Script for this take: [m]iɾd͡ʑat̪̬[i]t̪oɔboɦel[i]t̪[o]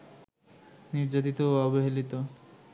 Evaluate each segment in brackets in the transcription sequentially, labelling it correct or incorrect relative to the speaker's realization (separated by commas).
incorrect, correct, correct, correct